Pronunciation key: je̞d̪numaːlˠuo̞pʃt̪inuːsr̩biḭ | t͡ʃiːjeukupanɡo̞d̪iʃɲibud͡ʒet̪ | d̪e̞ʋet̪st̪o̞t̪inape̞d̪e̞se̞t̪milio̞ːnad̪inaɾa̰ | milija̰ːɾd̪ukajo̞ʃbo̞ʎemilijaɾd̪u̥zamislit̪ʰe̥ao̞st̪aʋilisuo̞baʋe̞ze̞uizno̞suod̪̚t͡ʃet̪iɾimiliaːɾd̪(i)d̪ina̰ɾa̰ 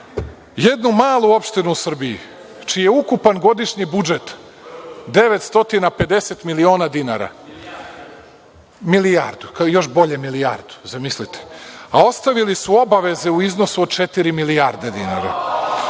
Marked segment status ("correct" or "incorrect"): incorrect